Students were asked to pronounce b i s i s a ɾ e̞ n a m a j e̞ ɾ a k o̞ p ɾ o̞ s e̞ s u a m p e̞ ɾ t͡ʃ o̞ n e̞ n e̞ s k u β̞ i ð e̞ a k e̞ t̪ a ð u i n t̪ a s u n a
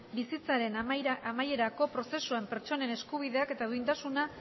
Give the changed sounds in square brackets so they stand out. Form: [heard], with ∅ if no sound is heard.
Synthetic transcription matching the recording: b i s i [t͡s] a ɾ e̞ n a m a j e̞ ɾ a k o̞ p ɾ o̞ s e̞ s u a m p e̞ ɾ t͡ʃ o̞ n e̞ n e̞ s k u β̞ i ð e̞ a k e̞ t̪ a ð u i n t̪ a s u n a